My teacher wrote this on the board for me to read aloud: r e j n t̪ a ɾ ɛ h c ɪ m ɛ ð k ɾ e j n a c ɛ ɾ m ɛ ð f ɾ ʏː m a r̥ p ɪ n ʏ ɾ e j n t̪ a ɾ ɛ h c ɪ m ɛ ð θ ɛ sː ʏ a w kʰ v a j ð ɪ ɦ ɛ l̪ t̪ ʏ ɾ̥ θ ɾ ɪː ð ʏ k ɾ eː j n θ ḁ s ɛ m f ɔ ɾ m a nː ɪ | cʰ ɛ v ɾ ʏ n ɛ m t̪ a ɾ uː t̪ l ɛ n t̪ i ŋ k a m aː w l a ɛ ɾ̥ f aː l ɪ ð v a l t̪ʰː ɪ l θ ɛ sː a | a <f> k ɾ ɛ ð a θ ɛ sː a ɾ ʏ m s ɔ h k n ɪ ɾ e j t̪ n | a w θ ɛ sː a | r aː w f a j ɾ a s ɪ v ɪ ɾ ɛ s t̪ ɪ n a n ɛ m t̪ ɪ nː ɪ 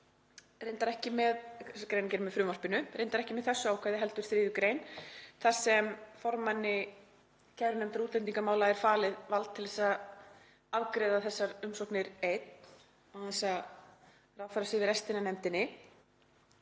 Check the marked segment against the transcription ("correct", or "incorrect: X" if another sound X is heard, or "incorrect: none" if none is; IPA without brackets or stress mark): incorrect: v